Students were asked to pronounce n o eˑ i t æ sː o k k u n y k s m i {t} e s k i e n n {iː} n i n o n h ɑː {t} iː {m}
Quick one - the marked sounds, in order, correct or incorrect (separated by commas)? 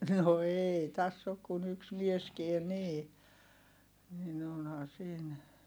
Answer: incorrect, correct, incorrect, incorrect